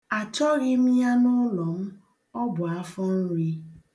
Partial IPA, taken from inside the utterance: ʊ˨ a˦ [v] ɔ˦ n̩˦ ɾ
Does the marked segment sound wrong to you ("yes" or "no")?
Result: yes